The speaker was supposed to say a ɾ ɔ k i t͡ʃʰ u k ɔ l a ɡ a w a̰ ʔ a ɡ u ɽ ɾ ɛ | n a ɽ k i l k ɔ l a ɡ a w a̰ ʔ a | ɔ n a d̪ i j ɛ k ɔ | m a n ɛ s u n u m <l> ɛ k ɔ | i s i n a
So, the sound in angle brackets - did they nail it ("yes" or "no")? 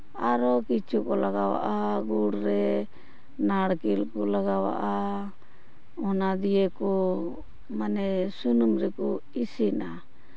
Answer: no